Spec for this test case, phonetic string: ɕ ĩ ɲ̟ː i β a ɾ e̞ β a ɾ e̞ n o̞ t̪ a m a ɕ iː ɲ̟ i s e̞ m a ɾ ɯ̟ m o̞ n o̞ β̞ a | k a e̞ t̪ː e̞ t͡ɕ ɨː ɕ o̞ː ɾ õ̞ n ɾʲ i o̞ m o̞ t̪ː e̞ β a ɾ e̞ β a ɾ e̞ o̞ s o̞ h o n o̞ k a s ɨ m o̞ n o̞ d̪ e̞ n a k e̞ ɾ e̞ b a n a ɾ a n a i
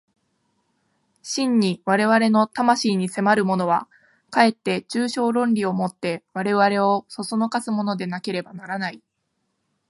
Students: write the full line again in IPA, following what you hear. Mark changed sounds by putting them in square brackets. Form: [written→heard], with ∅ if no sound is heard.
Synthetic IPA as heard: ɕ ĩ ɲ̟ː i β a ɾ e̞ β a ɾ e̞ n o̞ t̪ a m a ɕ iː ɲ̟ i s e̞ m a ɾ ɯ̟ m o̞ n o̞ β̞ a | k a e̞ t̪ː e̞ t͡ɕ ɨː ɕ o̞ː ɾ õ̞ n ɾʲ i o̞ m o̞ t̪ː e̞ β a ɾ e̞ β a ɾ e̞ o̞ s o̞ [h→s] o n o̞ k a s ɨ m o̞ n o̞ d̪ e̞ n a k e̞ ɾ e̞ b a n a ɾ a n a i